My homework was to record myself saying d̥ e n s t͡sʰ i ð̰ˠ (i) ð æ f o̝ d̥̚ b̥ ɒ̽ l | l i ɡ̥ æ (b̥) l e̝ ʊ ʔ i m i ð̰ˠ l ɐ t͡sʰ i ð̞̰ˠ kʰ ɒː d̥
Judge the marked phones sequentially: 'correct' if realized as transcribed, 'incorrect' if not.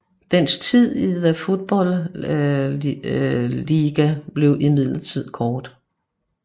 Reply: correct, correct

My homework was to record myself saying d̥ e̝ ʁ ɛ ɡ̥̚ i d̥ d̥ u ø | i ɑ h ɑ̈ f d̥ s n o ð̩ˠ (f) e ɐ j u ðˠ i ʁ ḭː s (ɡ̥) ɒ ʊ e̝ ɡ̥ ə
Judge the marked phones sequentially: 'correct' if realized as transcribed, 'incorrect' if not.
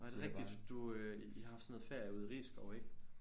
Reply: correct, correct

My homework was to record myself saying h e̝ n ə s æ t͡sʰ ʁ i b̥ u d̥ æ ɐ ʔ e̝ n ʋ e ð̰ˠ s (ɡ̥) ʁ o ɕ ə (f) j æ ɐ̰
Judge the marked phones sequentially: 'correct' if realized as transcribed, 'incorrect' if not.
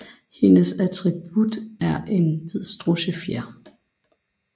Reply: incorrect, correct

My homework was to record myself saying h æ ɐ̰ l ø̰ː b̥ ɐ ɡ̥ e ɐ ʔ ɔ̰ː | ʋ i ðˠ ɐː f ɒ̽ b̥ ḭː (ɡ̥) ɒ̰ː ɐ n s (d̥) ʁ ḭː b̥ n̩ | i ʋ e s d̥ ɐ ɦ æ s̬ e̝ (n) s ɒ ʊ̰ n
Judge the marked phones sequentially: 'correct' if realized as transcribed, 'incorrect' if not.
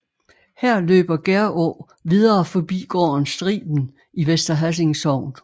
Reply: correct, correct, incorrect

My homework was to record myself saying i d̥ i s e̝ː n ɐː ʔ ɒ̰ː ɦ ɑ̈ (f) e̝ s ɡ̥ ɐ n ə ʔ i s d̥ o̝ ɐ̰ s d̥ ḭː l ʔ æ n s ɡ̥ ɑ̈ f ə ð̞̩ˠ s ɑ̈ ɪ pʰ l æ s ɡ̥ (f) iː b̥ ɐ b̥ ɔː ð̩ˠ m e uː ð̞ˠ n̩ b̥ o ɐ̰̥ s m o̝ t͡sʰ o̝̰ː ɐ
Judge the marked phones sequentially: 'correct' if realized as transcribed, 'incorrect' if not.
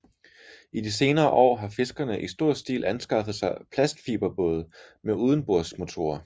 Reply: correct, correct

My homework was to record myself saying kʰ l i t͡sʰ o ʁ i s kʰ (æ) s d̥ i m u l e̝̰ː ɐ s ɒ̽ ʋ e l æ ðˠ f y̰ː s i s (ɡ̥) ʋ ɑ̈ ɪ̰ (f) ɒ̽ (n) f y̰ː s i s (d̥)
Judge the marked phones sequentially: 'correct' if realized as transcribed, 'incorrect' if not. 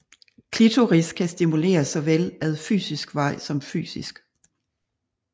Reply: correct, correct, incorrect, incorrect, incorrect

